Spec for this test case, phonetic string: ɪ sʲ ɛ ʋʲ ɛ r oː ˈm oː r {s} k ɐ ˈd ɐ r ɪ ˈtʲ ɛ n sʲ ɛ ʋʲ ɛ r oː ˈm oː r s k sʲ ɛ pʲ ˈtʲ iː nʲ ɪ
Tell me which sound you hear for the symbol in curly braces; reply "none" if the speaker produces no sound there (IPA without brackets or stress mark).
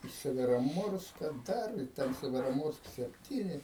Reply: s